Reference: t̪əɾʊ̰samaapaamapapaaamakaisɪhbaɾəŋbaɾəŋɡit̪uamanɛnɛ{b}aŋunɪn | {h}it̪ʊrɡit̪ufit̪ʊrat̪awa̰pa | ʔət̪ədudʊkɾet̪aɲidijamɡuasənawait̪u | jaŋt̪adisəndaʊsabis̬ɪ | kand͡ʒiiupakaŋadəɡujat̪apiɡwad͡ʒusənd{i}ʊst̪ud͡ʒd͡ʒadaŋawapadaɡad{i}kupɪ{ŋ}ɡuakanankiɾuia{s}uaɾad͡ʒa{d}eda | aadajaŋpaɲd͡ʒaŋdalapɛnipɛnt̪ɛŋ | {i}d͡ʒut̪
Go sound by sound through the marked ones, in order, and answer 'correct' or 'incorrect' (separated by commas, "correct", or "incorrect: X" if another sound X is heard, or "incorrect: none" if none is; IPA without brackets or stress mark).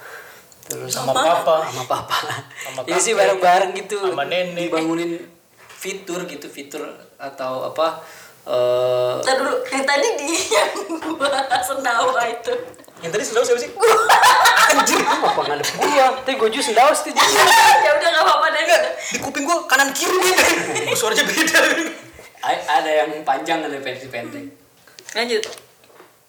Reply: correct, incorrect: f, incorrect: a, correct, correct, correct, incorrect: b, incorrect: a